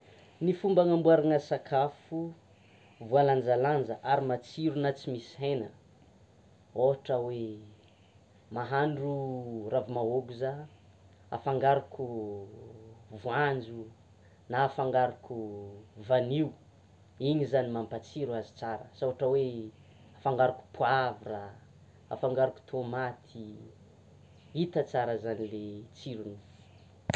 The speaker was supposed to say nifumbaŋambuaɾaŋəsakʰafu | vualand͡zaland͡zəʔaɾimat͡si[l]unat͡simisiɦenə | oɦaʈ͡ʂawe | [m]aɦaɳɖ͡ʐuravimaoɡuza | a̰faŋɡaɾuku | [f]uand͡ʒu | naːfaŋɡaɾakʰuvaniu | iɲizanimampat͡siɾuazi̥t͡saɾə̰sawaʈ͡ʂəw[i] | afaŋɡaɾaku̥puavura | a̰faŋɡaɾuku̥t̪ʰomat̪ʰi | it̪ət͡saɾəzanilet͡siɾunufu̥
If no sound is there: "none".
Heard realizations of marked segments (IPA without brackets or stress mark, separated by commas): ɾ, m, v, e